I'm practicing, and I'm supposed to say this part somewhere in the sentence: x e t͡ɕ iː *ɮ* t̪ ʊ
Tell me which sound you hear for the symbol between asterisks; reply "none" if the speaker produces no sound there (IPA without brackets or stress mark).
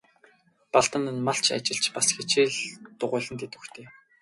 ɮ